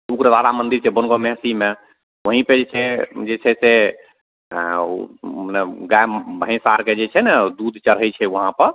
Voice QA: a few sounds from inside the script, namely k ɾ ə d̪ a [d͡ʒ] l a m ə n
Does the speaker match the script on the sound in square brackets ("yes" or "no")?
no